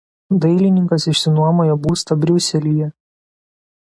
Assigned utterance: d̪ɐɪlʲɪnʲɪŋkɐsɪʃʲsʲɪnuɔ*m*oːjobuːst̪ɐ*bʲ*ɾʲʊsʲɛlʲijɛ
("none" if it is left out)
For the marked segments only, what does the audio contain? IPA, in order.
m, bʲ

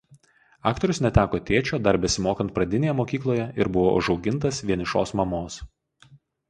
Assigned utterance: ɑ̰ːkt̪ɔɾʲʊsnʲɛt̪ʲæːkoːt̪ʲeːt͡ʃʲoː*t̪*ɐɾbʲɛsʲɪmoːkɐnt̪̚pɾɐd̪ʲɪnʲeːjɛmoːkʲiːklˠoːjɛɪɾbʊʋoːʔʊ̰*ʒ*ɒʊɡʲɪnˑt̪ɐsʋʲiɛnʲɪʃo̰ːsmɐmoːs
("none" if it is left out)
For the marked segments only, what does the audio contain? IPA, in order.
d̪, ʒ

